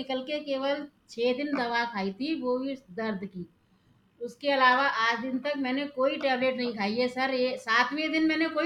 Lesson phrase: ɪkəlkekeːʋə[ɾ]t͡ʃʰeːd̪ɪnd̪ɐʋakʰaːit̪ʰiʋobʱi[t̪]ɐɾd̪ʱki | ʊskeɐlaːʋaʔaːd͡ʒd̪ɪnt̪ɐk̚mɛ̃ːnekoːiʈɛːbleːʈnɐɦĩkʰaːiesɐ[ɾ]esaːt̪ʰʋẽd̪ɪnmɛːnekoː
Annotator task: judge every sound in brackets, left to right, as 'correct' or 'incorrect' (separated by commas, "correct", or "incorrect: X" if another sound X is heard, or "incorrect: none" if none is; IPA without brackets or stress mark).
incorrect: l, incorrect: d̪, correct